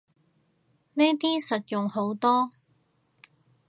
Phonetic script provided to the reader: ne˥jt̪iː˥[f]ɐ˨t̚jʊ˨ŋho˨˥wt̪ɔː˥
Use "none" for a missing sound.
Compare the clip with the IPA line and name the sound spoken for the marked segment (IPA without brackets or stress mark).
s